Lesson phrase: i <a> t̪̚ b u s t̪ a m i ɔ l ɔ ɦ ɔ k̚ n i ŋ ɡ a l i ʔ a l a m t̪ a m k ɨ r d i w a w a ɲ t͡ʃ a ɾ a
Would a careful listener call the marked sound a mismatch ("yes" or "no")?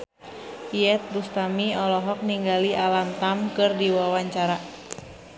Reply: yes